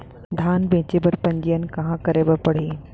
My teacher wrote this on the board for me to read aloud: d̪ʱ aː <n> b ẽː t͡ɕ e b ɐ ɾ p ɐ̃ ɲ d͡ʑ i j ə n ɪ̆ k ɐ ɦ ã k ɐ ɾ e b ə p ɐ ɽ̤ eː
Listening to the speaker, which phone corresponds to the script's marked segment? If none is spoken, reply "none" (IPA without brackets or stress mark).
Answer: n